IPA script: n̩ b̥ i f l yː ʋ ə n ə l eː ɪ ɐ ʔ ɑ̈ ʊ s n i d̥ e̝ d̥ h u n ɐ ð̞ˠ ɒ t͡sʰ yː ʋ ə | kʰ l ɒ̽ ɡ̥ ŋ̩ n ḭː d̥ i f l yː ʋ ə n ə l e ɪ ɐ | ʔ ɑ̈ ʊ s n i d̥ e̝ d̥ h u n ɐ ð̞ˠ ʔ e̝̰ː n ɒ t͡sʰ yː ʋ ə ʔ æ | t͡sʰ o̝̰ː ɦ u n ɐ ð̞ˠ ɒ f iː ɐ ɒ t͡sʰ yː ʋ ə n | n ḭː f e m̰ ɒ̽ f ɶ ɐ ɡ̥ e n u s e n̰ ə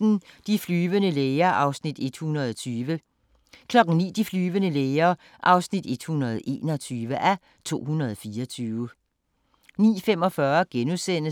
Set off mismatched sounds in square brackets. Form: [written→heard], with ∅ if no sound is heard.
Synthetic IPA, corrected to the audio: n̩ [b̥→d̥] i f l yː ʋ ə n ə l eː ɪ ɐ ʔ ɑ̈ ʊ s n i d̥ e̝ d̥ h u n ɐ ð̞ˠ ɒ t͡sʰ yː ʋ ə | kʰ l ɒ̽ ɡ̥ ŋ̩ n ḭː d̥ i f l yː ʋ ə n ə l e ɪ ɐ | ʔ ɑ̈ ʊ s n i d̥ e̝ d̥ h u n ɐ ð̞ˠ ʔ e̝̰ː n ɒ t͡sʰ yː ʋ ə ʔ æ | t͡sʰ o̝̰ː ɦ u n ɐ ð̞ˠ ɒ f iː ɐ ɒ t͡sʰ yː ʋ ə [n→∅] | n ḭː f e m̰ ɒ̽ f ɶ ɐ ɡ̥ e n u s e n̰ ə